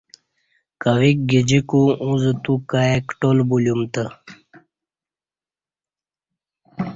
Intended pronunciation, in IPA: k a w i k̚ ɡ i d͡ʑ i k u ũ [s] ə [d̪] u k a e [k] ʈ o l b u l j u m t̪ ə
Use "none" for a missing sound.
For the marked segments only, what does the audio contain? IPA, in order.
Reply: z, t̪, k

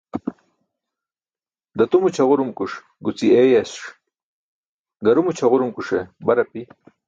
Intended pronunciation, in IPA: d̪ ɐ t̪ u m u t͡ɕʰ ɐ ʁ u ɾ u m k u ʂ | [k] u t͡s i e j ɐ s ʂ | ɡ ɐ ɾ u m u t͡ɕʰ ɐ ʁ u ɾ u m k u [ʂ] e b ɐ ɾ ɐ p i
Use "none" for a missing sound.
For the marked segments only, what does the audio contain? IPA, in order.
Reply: ɡ, ʂ

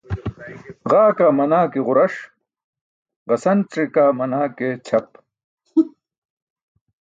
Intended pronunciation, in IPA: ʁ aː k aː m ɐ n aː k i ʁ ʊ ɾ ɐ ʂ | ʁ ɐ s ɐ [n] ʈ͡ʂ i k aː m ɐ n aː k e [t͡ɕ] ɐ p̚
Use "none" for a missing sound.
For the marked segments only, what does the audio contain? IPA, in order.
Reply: n, t͡ɕʰ

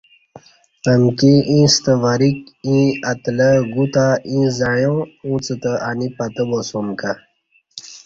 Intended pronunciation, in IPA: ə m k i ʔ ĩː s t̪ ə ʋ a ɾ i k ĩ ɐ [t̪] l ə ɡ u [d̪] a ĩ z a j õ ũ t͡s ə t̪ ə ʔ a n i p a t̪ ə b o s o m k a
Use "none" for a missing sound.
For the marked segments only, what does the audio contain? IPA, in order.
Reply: t̪, t̪

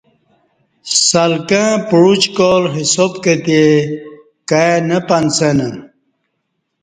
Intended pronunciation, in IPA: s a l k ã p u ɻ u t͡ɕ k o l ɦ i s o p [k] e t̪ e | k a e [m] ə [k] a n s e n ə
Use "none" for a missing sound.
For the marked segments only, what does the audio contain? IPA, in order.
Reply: k, n, p

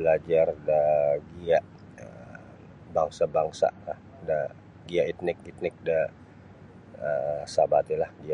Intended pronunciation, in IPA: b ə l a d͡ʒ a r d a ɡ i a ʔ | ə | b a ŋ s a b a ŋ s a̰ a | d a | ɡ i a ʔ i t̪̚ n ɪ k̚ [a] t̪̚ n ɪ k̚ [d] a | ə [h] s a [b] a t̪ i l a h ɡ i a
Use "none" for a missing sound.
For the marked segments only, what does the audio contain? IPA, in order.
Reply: i, d, none, b

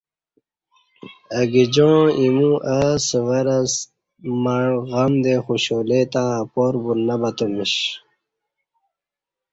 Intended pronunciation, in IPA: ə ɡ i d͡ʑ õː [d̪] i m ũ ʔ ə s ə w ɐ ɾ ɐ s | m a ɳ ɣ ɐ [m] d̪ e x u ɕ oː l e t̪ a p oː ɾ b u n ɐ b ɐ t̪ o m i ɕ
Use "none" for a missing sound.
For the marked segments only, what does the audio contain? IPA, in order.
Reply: none, m

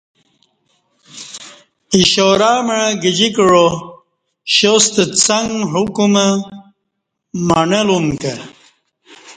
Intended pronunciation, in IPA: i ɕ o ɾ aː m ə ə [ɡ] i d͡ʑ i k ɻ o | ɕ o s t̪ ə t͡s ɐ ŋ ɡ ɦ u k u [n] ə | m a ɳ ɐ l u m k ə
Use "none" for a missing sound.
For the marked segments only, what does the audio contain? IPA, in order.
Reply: ɡ, m

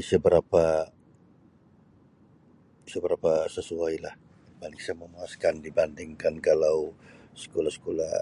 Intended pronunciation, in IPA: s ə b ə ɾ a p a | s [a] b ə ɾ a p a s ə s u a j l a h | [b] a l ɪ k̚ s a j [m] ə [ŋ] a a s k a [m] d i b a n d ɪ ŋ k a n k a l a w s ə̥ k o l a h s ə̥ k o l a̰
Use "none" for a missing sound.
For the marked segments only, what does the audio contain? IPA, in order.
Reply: ə, b, m, m, n

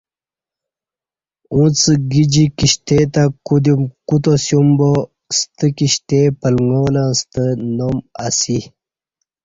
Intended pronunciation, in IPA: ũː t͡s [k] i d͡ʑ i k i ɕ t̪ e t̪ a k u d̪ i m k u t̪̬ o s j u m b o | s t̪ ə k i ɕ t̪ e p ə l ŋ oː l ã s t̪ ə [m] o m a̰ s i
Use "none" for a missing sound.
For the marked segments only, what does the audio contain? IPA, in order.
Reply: ɡ, n

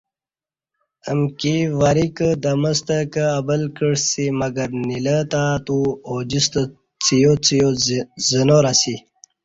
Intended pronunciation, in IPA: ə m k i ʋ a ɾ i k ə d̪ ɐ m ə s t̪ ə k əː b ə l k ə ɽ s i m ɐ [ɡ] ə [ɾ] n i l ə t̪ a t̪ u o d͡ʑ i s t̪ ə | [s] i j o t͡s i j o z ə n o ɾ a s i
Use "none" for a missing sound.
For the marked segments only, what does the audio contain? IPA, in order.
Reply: ɡ, ɾ, t͡s

